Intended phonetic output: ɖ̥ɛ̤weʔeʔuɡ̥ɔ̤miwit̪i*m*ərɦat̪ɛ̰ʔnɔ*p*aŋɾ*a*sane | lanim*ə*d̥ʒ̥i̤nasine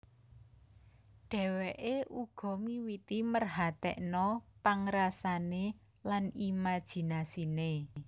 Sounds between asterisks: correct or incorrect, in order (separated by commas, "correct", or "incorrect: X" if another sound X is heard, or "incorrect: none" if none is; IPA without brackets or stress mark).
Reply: correct, correct, correct, incorrect: a